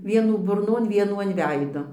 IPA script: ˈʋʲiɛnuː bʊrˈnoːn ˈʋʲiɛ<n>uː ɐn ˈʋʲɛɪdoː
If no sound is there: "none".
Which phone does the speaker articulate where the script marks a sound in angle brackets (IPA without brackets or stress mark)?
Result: n